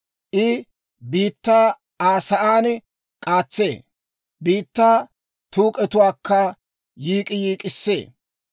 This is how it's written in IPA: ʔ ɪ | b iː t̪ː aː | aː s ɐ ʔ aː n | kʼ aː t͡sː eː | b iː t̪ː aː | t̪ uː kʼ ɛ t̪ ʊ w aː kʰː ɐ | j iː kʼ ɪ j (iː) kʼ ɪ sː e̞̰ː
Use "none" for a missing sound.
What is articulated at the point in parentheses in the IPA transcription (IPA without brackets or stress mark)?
iː